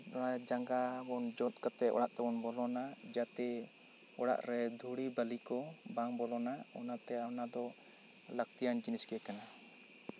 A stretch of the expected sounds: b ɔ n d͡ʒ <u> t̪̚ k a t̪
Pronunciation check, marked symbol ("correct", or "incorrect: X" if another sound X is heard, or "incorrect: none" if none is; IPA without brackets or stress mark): incorrect: ɔ